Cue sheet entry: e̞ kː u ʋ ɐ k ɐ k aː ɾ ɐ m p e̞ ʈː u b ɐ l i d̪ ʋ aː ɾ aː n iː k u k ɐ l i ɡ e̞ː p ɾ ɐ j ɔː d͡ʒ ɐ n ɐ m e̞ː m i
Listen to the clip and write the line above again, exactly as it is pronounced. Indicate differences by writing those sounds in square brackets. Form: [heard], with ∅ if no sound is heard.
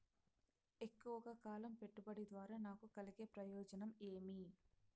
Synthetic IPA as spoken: e̞ kː u ʋ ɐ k ɐ k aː [l] ɐ m p e̞ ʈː u b ɐ [ɽ] i d̪ ʋ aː ɾ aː n [aː] k u k ɐ l i ɡ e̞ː p ɾ ɐ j ɔː d͡ʒ ɐ n ɐ m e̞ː m i